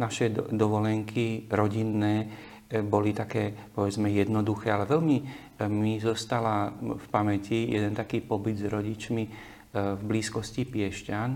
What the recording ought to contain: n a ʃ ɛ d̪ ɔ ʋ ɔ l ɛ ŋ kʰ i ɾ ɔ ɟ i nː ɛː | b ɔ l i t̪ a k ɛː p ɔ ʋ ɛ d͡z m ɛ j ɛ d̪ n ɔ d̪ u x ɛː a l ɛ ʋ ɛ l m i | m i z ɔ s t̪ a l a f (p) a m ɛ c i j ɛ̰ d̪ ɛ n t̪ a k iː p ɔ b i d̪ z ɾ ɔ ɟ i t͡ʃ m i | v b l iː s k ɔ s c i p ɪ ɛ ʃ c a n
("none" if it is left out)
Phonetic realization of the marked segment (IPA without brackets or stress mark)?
p